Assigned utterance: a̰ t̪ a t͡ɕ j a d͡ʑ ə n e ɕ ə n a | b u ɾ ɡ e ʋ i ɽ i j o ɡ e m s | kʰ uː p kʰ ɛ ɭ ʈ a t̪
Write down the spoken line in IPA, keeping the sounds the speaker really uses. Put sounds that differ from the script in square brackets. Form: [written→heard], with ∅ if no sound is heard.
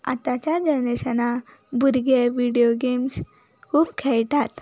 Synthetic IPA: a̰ t̪ a t͡ɕ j a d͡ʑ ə n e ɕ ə n a | b u ɾ ɡ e ʋ i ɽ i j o ɡ e m s | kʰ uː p kʰ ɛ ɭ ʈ a t̪